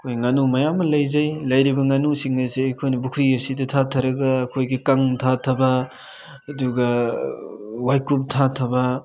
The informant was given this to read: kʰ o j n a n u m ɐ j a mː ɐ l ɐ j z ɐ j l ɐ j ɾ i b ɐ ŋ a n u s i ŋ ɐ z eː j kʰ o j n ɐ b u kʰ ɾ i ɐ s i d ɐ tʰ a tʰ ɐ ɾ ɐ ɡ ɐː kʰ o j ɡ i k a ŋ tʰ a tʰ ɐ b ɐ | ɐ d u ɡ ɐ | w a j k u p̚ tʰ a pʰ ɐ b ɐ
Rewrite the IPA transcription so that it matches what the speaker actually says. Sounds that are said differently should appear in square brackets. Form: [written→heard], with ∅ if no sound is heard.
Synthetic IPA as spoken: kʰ o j [n→ŋ] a n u m ɐ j a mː ɐ l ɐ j z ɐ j l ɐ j ɾ i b ɐ ŋ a n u s i ŋ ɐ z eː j kʰ o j n ɐ b u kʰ ɾ i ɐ s i d ɐ tʰ a tʰ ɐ ɾ ɐ ɡ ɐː kʰ o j ɡ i k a ŋ tʰ a tʰ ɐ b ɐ | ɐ d u ɡ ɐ | w a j k u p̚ tʰ a [pʰ→tʰ] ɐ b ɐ